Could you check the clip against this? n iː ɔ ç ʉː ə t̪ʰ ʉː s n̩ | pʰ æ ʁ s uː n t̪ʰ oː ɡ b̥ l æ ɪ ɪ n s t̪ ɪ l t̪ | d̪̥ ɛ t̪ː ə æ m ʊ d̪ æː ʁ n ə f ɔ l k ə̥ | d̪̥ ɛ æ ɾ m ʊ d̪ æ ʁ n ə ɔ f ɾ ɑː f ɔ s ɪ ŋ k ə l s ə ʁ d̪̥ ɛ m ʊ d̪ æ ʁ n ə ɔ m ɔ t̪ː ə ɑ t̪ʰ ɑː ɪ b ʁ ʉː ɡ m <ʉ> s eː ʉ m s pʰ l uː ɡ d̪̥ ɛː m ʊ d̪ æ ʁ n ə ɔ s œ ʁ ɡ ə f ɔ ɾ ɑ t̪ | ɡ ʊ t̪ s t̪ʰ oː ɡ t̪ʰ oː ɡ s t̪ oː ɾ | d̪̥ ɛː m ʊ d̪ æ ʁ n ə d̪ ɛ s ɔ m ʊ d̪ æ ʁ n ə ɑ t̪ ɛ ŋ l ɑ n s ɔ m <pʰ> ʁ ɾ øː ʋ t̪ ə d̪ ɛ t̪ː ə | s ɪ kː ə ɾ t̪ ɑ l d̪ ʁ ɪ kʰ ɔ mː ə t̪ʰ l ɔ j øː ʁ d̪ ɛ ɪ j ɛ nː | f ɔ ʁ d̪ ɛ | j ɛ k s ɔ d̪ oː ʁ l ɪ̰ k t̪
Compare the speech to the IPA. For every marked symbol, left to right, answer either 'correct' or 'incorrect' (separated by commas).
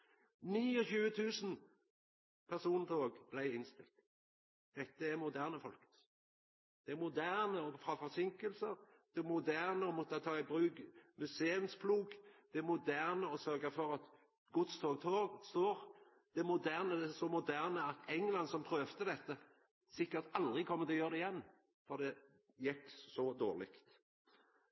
correct, correct